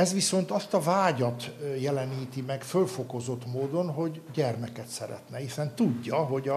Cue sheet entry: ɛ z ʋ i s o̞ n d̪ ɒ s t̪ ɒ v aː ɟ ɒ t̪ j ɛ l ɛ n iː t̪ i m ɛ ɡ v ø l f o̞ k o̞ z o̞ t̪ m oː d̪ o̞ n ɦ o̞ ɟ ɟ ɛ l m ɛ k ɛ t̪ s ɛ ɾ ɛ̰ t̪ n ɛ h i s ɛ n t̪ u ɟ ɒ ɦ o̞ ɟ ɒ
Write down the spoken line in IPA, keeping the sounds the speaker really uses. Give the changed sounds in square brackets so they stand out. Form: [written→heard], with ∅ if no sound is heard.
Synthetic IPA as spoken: ɛ z ʋ i s o̞ n [d̪→t̪] ɒ s t̪ ɒ v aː ɟ ɒ t̪ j ɛ l ɛ n iː t̪ i m ɛ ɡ [v→f] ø l f o̞ k o̞ z o̞ t̪ m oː d̪ o̞ n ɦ o̞ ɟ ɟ ɛ [l→r] m ɛ k ɛ t̪ s ɛ ɾ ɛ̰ t̪ n ɛ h i s ɛ n t̪ u [ɟ→ɟː] ɒ ɦ o̞ ɟ ɒ